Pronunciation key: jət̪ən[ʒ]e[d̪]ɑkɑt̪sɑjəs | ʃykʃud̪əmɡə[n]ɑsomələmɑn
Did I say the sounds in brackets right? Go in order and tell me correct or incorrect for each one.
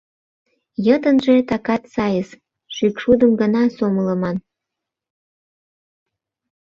correct, incorrect: t̪, correct

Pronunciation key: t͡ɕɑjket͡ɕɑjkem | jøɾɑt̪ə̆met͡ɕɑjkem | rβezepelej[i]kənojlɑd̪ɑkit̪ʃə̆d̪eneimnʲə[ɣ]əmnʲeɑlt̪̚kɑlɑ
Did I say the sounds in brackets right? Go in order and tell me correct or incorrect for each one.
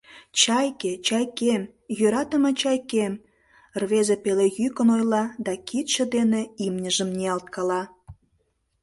incorrect: y, incorrect: ʒ

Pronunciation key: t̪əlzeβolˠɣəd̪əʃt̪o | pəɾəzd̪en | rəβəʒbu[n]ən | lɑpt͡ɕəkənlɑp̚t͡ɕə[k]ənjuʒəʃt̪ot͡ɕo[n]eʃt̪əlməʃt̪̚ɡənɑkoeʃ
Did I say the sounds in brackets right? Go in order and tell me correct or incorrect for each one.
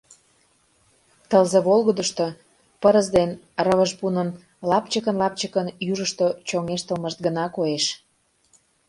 correct, correct, incorrect: ŋ

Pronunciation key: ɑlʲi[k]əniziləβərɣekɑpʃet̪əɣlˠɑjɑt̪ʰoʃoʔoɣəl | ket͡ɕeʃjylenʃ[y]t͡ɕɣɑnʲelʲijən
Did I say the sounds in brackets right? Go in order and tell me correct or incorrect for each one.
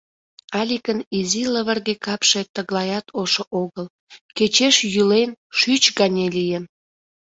correct, correct

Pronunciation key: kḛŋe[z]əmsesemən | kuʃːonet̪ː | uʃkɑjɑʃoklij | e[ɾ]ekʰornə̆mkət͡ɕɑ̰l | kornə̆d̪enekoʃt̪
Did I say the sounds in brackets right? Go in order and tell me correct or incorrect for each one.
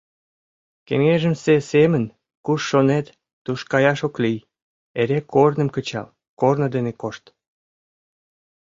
incorrect: ʒ, correct

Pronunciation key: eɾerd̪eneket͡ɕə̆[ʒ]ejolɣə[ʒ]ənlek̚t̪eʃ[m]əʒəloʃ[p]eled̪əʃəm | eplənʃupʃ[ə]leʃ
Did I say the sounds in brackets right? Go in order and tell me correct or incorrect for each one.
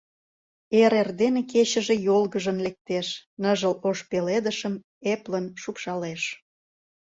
correct, correct, incorrect: n, correct, incorrect: ɑ

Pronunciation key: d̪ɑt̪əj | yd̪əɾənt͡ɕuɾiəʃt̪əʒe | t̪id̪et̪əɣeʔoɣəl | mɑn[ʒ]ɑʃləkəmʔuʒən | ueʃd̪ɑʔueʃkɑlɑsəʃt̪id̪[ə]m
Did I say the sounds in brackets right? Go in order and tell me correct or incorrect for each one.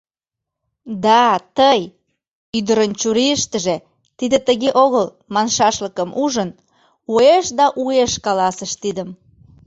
incorrect: ʃ, correct

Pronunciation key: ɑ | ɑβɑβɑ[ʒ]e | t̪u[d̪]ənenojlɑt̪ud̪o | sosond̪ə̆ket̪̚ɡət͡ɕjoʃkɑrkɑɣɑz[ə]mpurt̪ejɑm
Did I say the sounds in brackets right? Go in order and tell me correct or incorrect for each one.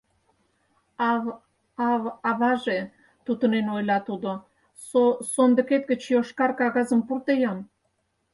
correct, incorrect: t̪, correct

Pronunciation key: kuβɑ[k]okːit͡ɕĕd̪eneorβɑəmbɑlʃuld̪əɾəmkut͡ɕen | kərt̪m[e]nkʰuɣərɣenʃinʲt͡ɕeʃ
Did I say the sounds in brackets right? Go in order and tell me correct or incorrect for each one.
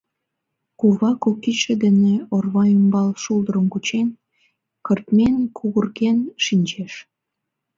correct, correct

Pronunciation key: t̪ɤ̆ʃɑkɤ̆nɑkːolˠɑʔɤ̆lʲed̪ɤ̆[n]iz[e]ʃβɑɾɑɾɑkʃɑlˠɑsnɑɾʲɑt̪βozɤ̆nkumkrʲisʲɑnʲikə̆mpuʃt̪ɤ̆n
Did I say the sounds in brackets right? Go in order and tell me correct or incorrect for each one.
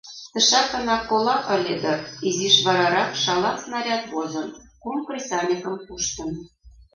incorrect: none, incorrect: i

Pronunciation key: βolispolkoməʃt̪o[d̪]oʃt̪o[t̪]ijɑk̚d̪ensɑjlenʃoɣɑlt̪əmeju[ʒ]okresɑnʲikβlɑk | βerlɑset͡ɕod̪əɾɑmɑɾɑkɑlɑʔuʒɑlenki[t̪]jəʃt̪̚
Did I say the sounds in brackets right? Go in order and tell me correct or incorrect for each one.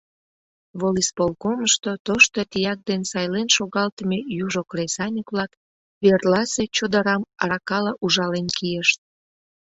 incorrect: t̪, correct, correct, incorrect: none

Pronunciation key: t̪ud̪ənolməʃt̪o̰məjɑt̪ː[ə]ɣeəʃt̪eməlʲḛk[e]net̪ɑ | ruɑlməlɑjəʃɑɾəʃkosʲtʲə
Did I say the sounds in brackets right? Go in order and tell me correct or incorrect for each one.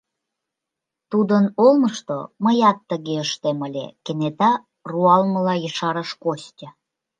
correct, correct

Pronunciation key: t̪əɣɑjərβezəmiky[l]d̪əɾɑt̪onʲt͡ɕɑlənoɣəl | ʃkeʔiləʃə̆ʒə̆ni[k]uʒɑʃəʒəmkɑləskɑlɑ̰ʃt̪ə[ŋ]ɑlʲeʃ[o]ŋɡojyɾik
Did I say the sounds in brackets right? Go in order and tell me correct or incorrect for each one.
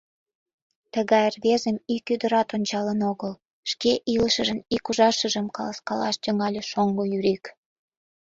incorrect: none, correct, correct, correct

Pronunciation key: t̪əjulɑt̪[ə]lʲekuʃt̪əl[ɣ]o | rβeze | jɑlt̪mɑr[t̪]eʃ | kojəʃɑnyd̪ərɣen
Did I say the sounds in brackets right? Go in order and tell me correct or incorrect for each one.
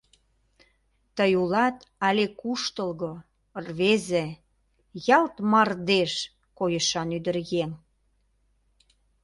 incorrect: ɑ, correct, incorrect: d̪

